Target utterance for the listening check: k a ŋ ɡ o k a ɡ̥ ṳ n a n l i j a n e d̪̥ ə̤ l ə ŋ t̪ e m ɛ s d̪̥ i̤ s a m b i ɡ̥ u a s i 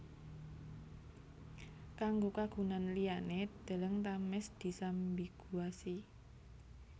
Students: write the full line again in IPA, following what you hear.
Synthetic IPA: k a ŋ ɡ o k a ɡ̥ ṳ n a n l i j a n e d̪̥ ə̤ l ə ŋ t̪ a m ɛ s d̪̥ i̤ s a m b i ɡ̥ u a s i